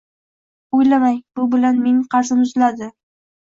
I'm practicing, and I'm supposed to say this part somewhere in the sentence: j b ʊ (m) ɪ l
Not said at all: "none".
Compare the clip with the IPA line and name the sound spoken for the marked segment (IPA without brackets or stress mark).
b